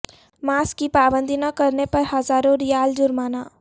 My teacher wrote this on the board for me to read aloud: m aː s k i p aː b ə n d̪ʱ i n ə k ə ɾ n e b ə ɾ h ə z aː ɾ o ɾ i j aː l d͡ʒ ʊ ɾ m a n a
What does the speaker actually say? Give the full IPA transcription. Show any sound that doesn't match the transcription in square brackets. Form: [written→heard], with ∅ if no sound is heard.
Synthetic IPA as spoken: m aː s k i p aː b ə n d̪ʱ i n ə k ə ɾ n e [b→p] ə ɾ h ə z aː ɾ o ɾ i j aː l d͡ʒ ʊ ɾ m a n a